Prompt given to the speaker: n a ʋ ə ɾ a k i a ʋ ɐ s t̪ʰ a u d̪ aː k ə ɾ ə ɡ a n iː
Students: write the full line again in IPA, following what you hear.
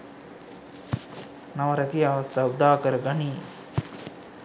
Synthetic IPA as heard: n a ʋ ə ɾ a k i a ʋ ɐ s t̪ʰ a u d̪ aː k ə ɾ ə ɡ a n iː